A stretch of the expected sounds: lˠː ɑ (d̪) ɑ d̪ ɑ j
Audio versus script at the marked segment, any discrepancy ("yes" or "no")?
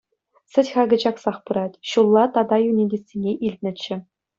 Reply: yes